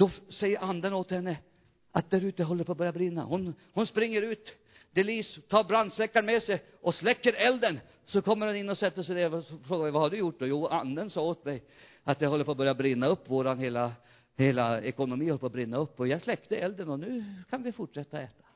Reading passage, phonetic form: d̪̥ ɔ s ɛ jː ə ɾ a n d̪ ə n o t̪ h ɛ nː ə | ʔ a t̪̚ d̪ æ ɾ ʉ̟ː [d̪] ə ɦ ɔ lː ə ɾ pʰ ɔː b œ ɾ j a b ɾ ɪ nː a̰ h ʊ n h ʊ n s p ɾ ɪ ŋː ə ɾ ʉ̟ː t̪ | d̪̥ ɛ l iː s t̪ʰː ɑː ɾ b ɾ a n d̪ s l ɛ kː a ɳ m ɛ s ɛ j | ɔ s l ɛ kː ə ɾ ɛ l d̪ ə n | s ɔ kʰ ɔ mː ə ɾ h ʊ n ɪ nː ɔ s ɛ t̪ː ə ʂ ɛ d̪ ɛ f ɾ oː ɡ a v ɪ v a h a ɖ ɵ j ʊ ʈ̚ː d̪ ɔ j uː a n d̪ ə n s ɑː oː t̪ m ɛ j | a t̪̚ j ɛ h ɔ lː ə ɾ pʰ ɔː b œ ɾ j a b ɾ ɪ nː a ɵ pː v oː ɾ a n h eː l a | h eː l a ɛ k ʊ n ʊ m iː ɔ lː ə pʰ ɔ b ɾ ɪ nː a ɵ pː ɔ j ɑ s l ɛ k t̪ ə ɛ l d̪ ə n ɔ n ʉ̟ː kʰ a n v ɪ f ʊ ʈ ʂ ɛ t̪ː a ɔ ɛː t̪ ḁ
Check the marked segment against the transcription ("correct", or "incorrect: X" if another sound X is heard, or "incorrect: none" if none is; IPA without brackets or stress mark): incorrect: t̪